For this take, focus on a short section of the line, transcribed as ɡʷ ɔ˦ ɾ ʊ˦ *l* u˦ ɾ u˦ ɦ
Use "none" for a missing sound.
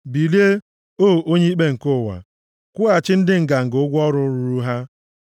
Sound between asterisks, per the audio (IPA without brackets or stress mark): ɾ